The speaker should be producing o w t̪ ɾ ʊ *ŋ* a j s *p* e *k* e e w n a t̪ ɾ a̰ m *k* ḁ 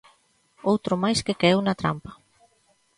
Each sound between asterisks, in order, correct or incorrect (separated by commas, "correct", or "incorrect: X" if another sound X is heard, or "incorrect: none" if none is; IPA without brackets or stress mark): incorrect: m, incorrect: k, correct, incorrect: p